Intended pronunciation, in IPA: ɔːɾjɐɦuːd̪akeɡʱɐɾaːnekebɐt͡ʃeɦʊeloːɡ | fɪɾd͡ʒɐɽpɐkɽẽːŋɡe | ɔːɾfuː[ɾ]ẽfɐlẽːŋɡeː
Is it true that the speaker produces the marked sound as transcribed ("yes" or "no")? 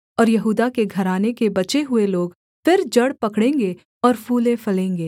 no